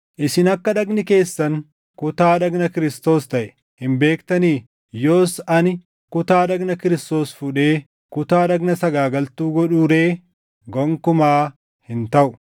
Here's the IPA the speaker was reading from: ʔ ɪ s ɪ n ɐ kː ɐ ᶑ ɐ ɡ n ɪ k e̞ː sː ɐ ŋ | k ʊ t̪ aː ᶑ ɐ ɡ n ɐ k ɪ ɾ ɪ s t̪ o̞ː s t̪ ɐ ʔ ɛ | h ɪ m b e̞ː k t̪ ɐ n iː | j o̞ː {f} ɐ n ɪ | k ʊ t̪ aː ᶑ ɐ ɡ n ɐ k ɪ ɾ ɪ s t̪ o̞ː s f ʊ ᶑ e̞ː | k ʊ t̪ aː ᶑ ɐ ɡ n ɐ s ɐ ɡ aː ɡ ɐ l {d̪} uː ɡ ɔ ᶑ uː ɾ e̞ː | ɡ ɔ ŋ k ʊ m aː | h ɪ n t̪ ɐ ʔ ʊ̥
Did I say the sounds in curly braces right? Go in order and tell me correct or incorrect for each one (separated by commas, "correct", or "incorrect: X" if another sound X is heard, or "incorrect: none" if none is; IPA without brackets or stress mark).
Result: incorrect: s, incorrect: t̪